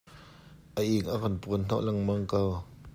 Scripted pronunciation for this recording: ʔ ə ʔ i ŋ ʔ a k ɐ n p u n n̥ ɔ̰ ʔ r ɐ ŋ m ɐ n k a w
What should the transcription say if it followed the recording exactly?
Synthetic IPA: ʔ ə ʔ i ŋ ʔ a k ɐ n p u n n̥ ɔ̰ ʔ l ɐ ŋ m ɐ ŋ k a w